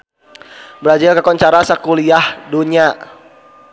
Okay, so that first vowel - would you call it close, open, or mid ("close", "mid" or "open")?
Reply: mid